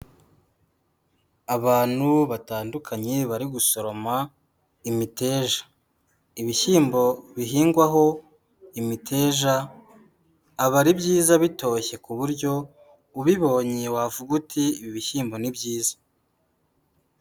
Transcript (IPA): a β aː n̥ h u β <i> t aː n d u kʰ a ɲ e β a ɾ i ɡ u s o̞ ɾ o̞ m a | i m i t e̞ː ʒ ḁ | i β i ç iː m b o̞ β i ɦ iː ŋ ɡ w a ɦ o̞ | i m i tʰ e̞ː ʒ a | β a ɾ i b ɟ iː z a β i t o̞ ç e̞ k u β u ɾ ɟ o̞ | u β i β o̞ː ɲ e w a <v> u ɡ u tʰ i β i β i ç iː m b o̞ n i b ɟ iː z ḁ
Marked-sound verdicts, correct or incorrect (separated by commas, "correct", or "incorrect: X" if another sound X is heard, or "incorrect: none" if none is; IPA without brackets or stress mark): incorrect: a, correct